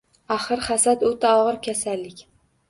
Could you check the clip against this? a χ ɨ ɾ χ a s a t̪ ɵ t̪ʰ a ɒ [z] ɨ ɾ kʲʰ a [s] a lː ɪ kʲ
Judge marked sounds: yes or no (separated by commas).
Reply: no, yes